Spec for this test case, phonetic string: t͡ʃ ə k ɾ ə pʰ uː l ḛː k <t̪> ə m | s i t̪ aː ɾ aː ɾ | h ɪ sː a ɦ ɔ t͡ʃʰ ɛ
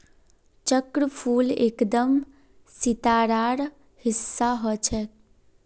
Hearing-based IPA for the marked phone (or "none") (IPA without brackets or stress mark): d̪